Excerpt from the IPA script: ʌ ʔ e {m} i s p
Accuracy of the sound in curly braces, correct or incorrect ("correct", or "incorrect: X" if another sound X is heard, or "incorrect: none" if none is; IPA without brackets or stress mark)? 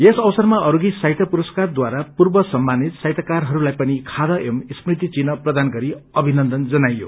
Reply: correct